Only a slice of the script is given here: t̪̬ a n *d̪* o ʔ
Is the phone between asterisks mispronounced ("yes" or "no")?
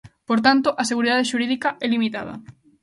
yes